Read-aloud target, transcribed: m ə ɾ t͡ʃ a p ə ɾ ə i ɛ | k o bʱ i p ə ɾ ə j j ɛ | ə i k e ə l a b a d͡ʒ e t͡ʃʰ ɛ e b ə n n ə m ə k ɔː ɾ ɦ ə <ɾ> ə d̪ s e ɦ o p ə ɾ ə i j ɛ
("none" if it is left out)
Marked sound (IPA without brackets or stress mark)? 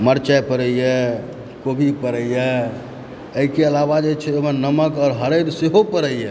ɾ